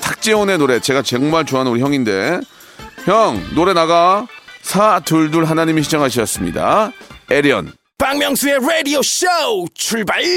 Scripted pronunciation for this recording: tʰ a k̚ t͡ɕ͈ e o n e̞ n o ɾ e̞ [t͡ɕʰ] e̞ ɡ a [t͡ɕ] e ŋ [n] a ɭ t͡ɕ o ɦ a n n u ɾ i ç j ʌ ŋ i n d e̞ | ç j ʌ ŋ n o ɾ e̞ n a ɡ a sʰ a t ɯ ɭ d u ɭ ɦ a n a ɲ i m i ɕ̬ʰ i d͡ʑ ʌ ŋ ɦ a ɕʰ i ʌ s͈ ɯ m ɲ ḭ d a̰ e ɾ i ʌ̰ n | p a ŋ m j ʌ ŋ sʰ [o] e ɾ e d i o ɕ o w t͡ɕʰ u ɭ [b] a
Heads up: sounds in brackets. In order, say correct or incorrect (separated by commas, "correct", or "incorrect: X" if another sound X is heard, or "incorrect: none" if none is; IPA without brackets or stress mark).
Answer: incorrect: t͡ɕ, correct, incorrect: m, incorrect: u, correct